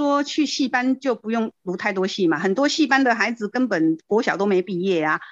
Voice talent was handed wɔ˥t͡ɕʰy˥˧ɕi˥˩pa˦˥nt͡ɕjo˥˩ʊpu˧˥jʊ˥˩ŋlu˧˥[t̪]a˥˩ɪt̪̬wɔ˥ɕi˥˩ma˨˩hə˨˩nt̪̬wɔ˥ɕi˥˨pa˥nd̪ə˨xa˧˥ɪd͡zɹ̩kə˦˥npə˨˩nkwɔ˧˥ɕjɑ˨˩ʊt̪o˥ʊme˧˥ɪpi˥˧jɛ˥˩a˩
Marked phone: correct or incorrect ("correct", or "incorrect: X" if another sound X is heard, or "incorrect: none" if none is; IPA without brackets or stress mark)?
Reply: incorrect: t̪ʰ